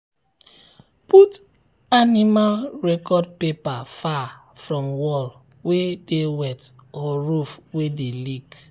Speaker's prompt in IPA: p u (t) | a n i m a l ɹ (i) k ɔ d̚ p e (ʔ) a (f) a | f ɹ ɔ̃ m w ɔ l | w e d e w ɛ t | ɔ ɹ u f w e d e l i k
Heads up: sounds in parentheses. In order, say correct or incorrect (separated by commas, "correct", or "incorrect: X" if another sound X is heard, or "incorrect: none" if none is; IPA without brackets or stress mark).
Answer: correct, incorrect: ɛ, incorrect: p, correct